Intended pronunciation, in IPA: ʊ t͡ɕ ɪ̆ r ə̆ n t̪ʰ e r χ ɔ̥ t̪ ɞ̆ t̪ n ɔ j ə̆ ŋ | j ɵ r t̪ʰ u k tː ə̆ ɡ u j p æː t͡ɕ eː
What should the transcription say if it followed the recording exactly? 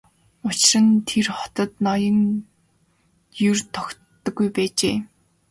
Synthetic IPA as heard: ʊ t͡ɕ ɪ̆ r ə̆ n t̪ʰ e r χ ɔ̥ t̪ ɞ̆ t̪ n ɔ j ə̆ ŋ | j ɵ r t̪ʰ ɔ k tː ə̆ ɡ u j p æː t͡ɕ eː